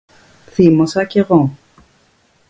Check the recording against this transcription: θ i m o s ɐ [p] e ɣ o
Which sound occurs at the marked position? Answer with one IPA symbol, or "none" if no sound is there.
c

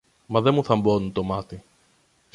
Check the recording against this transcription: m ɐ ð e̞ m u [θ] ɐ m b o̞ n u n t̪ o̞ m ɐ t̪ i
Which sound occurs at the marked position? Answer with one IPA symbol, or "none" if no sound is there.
θ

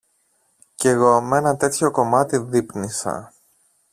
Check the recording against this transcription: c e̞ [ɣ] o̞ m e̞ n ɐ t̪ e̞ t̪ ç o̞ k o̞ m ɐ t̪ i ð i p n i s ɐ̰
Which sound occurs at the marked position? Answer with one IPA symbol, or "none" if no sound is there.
ɣ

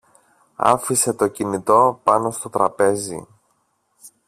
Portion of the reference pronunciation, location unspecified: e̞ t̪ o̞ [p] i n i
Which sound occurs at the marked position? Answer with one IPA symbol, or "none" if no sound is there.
c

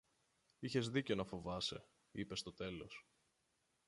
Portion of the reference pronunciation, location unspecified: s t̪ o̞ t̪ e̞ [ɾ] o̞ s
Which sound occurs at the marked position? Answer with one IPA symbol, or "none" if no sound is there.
l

